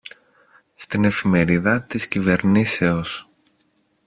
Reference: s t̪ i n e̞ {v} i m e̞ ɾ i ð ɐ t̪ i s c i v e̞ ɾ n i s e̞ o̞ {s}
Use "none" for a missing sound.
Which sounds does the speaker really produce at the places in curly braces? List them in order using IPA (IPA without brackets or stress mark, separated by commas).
f, s